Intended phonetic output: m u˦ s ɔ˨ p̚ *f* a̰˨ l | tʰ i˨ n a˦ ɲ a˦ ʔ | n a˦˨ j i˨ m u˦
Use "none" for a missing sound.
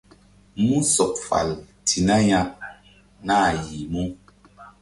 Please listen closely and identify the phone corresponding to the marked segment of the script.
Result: f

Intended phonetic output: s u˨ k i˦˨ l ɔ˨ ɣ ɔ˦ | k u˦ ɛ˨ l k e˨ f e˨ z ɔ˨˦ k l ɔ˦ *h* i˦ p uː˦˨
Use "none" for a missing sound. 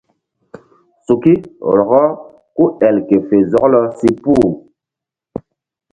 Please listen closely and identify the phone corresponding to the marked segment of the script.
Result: s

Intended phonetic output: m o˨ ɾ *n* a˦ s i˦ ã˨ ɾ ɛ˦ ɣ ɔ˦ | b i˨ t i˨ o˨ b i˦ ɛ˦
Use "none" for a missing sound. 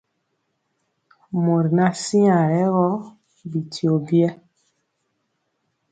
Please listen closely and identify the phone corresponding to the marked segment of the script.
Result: n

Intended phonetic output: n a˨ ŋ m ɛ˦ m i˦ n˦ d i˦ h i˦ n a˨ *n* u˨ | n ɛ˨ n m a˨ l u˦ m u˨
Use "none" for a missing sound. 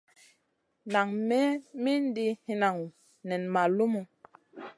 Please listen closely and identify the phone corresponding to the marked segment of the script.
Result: ŋ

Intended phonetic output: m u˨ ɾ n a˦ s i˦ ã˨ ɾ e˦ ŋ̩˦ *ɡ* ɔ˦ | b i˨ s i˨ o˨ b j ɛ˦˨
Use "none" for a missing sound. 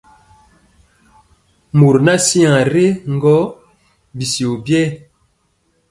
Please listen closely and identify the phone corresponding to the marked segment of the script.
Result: ɡ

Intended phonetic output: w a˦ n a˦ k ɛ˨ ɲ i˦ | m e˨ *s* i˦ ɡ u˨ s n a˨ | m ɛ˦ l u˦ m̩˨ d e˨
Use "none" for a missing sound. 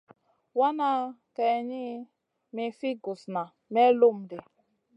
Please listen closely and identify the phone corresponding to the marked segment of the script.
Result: f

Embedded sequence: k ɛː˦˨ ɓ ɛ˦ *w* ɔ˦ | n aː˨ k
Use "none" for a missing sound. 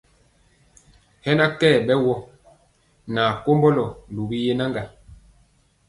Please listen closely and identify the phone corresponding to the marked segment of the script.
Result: w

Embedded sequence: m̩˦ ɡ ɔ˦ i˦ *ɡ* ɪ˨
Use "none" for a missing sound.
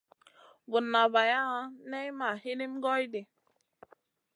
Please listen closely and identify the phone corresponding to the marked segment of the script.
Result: d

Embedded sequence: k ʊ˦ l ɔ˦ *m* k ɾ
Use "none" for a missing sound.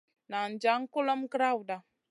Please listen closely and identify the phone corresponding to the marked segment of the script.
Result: m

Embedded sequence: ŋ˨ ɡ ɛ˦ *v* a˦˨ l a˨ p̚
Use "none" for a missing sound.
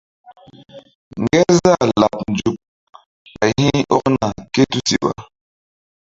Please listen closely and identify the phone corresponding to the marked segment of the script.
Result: z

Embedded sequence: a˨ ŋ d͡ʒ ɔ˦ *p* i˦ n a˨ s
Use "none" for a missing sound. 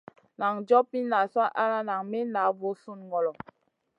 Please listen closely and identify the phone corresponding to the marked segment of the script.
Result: p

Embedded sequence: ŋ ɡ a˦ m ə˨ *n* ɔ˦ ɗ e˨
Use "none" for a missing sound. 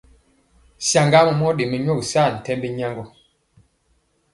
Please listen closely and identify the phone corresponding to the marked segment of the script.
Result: m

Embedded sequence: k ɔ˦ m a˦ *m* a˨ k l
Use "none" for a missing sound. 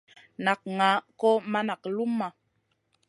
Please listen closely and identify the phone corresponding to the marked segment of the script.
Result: n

